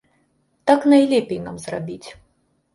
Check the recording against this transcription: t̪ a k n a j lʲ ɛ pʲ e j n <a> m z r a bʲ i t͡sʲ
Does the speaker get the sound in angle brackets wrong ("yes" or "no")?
no